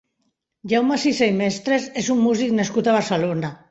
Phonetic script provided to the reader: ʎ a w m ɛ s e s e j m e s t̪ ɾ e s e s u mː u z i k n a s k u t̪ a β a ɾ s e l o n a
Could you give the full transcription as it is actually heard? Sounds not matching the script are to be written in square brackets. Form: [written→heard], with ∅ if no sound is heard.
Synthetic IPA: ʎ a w m [ɛ→a] s [e→i] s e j m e s t̪ ɾ e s e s u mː u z i k n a s k u t̪ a β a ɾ s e l o n a